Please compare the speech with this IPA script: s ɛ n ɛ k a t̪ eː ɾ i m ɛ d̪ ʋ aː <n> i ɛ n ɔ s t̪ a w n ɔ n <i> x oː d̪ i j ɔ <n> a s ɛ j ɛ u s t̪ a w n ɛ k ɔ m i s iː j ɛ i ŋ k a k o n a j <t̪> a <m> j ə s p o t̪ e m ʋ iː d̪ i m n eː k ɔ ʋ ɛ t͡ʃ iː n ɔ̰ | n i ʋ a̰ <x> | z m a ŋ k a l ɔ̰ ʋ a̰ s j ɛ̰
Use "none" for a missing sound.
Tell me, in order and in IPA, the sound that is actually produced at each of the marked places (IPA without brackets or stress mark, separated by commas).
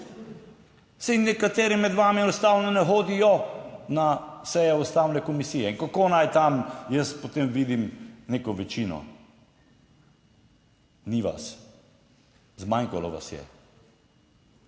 m, ɛ, n, t̪, m, s